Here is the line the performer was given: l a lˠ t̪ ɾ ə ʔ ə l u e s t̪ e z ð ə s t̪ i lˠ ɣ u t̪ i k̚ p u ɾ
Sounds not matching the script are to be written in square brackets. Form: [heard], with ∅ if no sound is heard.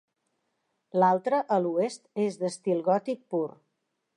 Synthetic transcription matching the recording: l a lˠ t̪ ɾ ə ʔ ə l u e s t̪ e z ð ə s t̪ i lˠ ɣ [ɔ] t̪ i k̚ p u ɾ